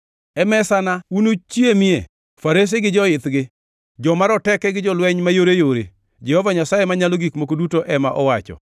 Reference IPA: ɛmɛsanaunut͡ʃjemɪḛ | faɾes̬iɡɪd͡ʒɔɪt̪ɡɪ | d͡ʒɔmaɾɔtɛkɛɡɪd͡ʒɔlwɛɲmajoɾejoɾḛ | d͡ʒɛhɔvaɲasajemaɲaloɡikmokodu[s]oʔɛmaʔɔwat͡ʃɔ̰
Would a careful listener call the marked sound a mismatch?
yes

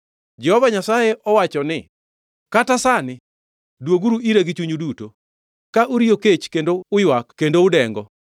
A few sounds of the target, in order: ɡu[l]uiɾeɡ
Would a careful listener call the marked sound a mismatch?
yes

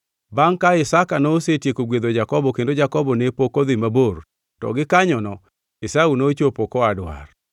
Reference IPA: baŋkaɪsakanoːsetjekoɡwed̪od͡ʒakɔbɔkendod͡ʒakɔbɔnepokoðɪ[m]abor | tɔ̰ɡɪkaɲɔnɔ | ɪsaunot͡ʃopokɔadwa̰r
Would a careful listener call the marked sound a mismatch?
no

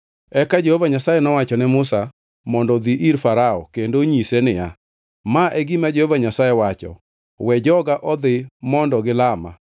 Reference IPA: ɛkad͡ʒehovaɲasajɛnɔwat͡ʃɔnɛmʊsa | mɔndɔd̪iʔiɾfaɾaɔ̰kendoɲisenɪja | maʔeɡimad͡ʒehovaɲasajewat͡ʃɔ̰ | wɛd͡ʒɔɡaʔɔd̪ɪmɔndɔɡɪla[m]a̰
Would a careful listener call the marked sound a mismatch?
no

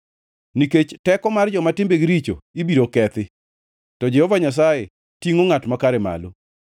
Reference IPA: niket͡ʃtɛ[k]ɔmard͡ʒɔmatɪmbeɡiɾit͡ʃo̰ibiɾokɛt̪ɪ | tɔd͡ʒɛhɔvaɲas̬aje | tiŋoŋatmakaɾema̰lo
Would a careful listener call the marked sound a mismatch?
no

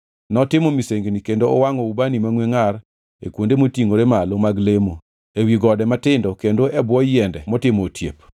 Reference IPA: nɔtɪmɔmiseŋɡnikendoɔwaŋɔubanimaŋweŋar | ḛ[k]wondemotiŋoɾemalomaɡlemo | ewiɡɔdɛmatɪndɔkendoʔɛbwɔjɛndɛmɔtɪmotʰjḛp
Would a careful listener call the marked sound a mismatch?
no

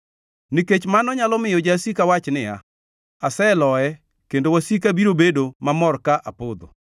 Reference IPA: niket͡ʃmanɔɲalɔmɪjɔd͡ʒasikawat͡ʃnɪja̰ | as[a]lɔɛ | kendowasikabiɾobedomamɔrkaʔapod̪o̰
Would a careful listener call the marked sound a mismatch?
yes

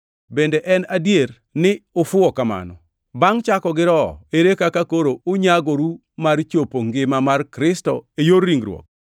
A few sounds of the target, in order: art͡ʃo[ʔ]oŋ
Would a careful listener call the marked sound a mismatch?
yes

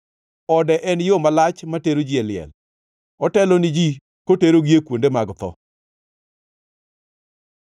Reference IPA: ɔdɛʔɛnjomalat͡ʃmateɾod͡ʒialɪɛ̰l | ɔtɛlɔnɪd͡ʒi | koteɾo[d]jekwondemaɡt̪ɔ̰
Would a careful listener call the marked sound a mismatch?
yes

